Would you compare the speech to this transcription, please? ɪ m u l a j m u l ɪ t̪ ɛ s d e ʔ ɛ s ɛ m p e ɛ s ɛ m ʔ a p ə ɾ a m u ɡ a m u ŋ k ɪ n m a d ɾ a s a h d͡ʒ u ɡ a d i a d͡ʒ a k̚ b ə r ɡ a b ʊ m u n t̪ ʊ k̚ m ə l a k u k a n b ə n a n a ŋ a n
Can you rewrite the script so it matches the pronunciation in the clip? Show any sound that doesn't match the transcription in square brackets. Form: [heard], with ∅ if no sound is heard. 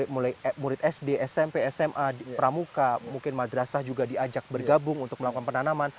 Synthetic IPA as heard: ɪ m u l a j m u [ɾ] ɪ t̪ ɛ s d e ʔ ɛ s ɛ m p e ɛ s ɛ m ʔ a p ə ɾ a m u [k] a m u ŋ k ɪ n m a d ɾ a s a h d͡ʒ u ɡ a d i a d͡ʒ a k̚ b ə r ɡ a b ʊ [ŋ] u n t̪ ʊ k̚ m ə l a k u k a n [p] ə n a n a [m] a n